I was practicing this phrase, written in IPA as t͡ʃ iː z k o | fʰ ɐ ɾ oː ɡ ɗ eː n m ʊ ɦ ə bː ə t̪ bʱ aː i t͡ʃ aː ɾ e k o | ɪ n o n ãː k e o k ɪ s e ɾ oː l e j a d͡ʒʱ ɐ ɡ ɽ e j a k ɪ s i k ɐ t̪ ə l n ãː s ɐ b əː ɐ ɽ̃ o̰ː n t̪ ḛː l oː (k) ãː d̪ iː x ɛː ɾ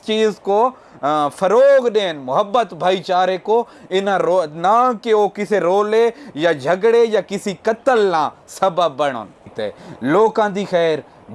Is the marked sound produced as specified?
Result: yes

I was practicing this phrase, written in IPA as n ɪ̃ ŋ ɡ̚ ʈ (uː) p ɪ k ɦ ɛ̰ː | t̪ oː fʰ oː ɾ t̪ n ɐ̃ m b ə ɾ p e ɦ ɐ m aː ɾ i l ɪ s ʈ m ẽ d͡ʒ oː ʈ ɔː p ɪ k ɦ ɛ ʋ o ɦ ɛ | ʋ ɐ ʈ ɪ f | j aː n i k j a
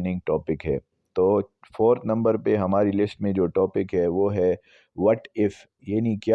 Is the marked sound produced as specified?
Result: no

